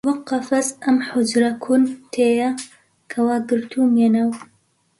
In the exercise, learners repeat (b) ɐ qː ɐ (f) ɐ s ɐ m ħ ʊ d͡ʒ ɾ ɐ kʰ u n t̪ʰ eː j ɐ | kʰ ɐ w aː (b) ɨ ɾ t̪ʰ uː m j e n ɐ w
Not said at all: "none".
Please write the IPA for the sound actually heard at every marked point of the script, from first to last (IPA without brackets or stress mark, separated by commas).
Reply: w, f, ɡ